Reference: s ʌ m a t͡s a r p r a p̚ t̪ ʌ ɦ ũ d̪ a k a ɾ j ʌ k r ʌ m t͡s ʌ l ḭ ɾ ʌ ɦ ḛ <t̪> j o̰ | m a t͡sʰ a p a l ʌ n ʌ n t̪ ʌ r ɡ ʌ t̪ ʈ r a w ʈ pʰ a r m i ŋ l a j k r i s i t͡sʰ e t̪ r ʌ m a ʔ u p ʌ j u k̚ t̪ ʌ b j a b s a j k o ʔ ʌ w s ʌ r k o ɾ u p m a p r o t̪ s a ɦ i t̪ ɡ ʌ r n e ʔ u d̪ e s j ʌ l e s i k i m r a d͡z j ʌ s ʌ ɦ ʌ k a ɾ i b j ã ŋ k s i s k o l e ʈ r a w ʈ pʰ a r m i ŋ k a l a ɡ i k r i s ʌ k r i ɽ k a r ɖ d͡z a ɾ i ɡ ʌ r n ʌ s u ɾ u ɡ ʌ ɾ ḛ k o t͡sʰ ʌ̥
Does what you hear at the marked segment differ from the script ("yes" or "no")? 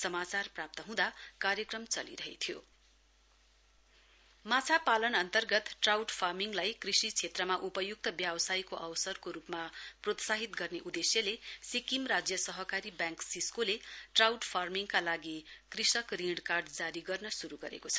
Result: yes